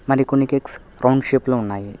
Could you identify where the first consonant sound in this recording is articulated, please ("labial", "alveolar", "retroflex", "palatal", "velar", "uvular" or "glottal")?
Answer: labial